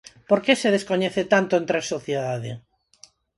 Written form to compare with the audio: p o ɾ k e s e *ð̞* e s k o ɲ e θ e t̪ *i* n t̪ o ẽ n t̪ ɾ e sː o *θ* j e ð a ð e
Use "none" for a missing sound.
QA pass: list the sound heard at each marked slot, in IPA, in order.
ð̞, a, θ

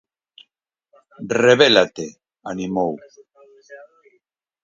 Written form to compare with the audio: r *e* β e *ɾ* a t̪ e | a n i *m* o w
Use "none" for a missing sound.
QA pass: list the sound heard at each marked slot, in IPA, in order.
e, l, m

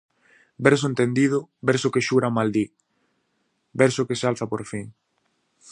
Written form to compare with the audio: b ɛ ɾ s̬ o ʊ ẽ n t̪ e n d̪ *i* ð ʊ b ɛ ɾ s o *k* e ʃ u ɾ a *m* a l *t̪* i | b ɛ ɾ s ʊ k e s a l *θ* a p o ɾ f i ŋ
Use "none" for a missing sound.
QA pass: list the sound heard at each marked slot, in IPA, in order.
i, k, m, d̪, θ

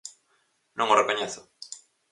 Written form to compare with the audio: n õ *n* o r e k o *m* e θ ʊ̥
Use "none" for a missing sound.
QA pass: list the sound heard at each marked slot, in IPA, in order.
ŋ, ɲ

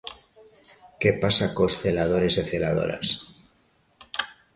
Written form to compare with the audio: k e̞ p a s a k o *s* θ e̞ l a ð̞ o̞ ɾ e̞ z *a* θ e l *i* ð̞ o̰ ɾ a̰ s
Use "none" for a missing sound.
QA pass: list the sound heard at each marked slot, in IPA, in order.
s, e, a

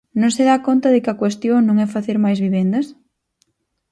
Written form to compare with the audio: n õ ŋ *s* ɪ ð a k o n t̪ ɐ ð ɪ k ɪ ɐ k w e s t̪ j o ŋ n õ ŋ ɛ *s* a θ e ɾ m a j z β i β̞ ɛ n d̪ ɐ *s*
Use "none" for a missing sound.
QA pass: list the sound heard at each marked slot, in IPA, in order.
s, f, s

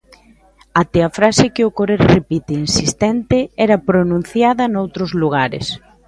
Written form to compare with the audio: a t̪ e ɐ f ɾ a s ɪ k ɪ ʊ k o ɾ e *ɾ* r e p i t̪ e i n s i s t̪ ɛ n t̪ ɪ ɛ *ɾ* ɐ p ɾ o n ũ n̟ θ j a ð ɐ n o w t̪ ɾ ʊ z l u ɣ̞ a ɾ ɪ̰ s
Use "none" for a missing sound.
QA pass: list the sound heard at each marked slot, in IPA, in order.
ɾ, ɾ

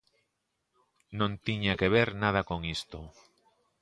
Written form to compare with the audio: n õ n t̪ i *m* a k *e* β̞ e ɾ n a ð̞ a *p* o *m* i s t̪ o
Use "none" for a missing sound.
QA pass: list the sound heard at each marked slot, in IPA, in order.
ɲ, e, k, ŋ

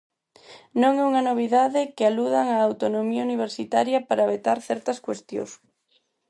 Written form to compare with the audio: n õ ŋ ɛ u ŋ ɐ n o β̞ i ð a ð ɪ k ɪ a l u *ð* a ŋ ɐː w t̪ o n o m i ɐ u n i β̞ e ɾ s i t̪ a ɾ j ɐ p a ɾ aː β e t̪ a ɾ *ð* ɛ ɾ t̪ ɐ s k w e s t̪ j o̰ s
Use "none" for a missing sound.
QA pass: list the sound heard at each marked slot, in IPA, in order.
ð, θ

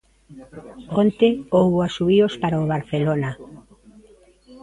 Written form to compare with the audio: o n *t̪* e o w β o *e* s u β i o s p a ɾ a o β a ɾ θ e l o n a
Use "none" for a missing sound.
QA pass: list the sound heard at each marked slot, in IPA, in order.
t̪, a

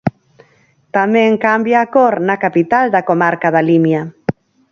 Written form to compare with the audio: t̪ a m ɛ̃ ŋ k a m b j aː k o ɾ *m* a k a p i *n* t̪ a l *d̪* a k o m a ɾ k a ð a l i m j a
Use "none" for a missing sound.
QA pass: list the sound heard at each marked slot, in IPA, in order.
n, none, d̪

